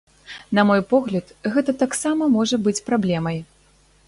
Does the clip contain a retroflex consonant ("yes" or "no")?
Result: yes